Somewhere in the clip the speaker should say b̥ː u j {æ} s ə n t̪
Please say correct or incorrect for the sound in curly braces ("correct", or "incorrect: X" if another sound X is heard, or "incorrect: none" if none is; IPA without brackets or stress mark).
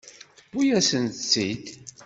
correct